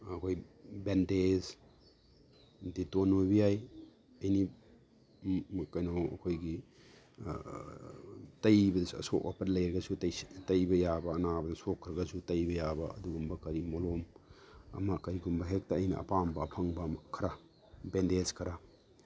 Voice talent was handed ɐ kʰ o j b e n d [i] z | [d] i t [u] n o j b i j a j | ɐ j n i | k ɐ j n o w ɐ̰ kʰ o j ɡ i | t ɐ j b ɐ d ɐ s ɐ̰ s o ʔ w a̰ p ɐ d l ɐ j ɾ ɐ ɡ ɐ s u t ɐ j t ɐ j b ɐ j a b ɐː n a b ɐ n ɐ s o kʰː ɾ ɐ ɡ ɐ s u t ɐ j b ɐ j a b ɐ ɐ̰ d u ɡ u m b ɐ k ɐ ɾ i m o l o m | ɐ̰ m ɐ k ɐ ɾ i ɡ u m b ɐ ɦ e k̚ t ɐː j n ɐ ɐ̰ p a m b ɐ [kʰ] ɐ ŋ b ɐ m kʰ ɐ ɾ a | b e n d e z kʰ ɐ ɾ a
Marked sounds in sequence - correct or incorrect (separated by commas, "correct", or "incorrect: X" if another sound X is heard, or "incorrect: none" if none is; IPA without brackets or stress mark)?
incorrect: e, correct, incorrect: o, incorrect: pʰ